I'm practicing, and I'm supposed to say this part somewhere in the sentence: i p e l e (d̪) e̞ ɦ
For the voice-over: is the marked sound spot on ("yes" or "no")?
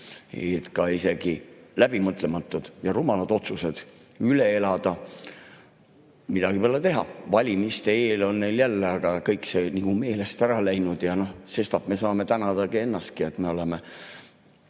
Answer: no